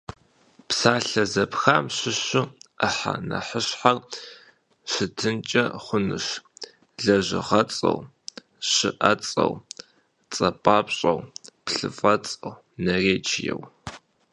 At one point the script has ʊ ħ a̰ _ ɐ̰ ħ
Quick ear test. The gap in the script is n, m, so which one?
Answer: n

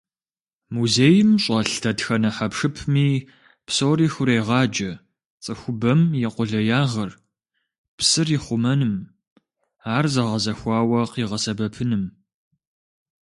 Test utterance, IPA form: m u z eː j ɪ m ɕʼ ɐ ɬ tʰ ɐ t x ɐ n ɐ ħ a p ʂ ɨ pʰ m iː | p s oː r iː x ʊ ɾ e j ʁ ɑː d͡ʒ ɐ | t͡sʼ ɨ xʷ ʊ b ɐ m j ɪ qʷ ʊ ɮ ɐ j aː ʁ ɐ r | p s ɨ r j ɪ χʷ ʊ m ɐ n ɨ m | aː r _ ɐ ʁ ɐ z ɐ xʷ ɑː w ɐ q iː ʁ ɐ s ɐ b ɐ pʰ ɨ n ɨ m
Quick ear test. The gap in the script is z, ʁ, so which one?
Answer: z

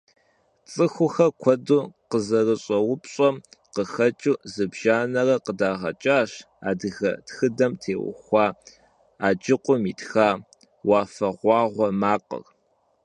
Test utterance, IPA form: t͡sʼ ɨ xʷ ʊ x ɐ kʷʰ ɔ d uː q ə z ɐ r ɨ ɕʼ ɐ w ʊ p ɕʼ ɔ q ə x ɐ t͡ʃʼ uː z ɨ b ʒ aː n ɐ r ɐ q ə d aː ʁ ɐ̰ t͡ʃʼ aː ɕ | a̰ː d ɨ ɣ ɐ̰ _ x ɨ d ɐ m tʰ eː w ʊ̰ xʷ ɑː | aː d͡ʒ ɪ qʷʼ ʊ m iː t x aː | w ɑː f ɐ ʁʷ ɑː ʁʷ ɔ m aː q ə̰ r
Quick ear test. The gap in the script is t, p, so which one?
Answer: t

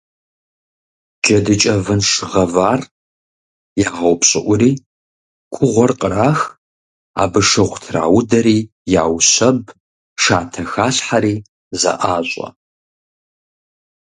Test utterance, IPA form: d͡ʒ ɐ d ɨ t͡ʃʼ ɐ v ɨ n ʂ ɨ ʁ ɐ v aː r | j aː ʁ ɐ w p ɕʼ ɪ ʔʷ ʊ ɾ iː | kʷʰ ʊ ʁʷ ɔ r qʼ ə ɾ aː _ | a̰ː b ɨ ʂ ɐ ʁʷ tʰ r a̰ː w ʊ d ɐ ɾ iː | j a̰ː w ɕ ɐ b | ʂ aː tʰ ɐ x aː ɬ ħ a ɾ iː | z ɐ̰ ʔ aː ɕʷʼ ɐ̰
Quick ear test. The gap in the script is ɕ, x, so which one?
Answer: x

